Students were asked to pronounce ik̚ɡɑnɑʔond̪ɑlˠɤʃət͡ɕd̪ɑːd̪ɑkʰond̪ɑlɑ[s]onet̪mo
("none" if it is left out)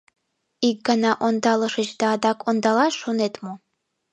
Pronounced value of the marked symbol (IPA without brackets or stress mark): ʃ